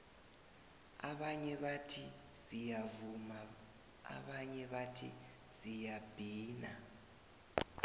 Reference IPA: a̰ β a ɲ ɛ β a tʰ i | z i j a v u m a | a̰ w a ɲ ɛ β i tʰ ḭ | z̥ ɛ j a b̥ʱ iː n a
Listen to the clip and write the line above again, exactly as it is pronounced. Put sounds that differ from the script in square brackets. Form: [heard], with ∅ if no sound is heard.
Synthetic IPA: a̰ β a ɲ ɛ β a tʰ i | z i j a v u m a | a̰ [β] a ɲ ɛ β [a] tʰ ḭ | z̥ [i] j a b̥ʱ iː n a